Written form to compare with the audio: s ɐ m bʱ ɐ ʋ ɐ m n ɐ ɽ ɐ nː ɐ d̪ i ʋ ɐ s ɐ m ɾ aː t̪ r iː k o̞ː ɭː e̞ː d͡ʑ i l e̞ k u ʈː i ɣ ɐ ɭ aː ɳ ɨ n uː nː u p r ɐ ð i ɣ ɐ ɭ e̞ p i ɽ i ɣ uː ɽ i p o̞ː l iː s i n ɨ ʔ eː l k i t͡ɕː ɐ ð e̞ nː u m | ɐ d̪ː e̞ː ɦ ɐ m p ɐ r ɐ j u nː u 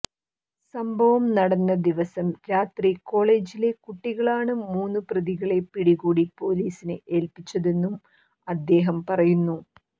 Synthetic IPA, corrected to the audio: s ɐ m bʱ ɐ ʋ ɐ m n ɐ ɽ ɐ nː ɐ d̪ i ʋ ɐ s ɐ m ɾ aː t̪ r i k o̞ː ɭ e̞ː d͡ʑ i l e̞ k u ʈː i ɣ ɐ ɭ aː ɳ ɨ m uː nː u p r ɐ ð i ɣ ɐ ɭ e̞ p i ɽ i ɣ uː ɽ i p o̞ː l iː s i n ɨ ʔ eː l p i t͡ɕː ɐ ð e̞ nː u m | ɐ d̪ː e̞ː ɦ ɐ m p ɐ r ɐ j u nː u